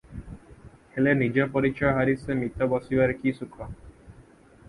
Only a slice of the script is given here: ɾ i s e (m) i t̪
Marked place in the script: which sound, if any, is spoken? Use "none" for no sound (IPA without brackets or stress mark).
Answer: m